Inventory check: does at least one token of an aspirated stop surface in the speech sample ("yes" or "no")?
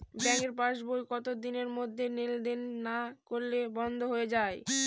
no